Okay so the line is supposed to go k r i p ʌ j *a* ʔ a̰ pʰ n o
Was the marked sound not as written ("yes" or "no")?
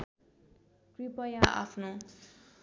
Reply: no